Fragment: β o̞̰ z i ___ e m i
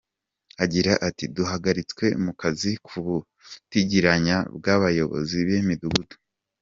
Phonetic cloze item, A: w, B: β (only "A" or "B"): B